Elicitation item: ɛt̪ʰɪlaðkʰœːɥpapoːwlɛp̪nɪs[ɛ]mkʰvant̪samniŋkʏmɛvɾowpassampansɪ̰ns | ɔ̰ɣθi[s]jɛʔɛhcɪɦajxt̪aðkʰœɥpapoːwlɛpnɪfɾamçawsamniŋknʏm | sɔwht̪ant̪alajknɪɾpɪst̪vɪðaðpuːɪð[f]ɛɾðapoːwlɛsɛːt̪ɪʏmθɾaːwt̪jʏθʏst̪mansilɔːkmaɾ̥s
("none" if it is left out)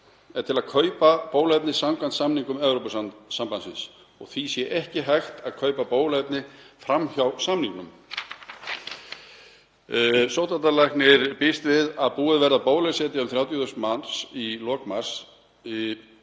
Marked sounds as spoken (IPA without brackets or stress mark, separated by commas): a, s, v